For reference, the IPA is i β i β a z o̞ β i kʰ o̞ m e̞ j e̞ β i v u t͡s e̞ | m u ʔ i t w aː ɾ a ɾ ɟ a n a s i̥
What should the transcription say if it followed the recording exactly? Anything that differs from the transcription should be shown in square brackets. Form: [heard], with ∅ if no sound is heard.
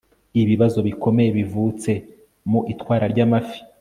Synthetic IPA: i β i β a z o̞ β i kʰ o̞ m e̞ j e̞ β i v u t͡s e̞ | m u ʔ i t w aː ɾ a ɾ ɟ a [m] a [f] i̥